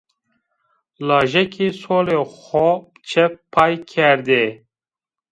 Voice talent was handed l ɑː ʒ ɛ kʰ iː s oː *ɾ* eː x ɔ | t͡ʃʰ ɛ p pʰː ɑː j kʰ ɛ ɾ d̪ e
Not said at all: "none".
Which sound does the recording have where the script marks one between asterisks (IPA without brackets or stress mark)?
l